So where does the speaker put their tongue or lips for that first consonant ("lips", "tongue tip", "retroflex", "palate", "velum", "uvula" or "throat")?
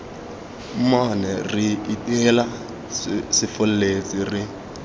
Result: lips